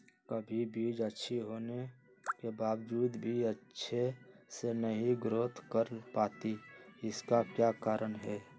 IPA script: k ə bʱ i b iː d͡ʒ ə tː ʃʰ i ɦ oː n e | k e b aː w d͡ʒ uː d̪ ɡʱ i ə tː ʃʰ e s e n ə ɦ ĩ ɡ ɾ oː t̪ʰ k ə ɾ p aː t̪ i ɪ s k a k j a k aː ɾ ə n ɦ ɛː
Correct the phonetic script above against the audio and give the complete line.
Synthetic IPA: k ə bʱ i b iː d͡ʒ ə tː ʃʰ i ɦ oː n e | k e b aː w d͡ʒ uː d̪ bʱ i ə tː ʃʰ e s e n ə ɦ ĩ ɡ ɾ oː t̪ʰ k ə ɾ p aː t̪ i ɪ s k a k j a k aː ɾ ə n ɦ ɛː